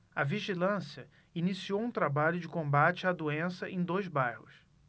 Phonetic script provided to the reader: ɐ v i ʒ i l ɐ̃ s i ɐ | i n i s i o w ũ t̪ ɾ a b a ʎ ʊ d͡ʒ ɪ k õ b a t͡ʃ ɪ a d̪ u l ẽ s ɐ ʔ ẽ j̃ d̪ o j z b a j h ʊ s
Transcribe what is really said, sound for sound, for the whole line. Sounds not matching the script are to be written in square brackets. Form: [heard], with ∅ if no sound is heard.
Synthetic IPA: ɐ v i ʒ i l ɐ̃ s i ɐ | i n i s i o w ũ t̪ ɾ a b a ʎ ʊ d͡ʒ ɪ k õ b a t͡ʃ ɪ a d̪ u [∅] ẽ s ɐ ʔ ẽ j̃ d̪ o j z b a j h ʊ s